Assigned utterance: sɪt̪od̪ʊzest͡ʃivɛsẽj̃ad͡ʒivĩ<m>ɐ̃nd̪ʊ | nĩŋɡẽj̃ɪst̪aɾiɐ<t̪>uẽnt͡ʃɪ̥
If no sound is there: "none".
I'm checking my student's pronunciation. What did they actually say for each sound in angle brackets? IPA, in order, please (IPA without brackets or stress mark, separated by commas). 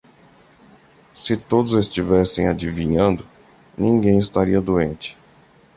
ɲ, d̪